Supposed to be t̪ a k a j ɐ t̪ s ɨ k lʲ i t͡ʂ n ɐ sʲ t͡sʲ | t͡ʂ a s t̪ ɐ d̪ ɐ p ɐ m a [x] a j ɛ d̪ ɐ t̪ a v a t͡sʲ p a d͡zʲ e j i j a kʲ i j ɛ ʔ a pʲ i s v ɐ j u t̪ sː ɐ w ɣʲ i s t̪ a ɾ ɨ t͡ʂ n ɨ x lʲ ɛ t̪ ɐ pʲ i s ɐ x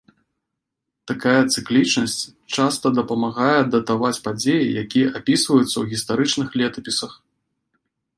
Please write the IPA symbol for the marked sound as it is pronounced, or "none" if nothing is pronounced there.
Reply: ɣ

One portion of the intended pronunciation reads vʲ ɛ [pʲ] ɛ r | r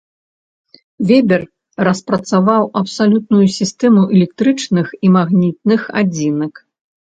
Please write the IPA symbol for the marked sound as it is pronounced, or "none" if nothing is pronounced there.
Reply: bʲ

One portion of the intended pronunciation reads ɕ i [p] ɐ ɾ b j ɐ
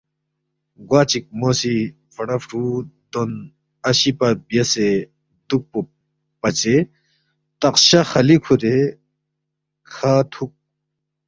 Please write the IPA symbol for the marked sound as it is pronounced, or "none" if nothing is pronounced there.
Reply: p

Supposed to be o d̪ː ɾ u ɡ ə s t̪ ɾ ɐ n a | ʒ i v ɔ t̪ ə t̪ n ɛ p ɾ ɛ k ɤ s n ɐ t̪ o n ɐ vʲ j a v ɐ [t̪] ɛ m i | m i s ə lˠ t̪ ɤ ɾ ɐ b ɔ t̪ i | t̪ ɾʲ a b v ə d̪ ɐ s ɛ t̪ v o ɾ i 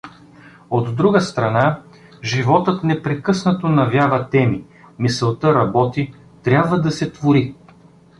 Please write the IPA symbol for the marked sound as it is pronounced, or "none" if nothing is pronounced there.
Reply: t̪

